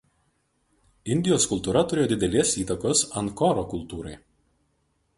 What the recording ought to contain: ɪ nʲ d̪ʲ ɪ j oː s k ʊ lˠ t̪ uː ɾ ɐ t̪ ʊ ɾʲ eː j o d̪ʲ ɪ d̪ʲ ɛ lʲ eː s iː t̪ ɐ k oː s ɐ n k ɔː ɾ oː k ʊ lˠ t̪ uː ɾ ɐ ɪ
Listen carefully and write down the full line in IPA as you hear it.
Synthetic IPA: ɪ nʲ d̪ʲ ɪ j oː s k ʊ lˠ t̪ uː ɾ ɐ t̪ ʊ ɾʲ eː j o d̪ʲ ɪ d̪ʲ ɛ lʲ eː s iː t̪ ɐ k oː s ɐ n k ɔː ɾ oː k ʊ lˠ t̪ uː ɾ ɐ ɪ